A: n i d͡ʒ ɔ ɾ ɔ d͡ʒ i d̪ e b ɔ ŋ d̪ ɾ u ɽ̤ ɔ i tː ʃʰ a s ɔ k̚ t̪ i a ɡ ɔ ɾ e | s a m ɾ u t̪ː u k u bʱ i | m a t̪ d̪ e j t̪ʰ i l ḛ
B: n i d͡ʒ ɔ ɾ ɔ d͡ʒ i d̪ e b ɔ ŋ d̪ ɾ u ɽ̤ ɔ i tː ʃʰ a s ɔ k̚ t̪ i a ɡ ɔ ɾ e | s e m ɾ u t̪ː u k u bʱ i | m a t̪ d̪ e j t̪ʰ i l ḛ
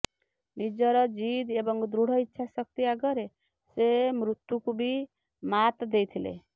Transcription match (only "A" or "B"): B